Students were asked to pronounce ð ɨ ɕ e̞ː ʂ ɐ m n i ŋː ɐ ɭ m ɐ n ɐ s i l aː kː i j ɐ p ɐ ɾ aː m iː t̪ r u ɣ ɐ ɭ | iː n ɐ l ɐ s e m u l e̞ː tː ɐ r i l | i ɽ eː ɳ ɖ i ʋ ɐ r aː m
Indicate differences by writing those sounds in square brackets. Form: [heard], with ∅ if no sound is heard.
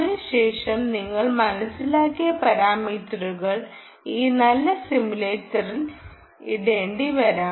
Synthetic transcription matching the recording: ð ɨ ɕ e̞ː ʂ ɐ m n i ŋː ɐ ɭ m ɐ n ɐ s i l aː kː i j ɐ p ɐ ɾ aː m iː t̪ r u ɣ ɐ ɭ | iː n ɐ [lː] ɐ s [i] m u l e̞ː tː ɐ r i l | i ɽ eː ɳ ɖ i ʋ ɐ [ɾ] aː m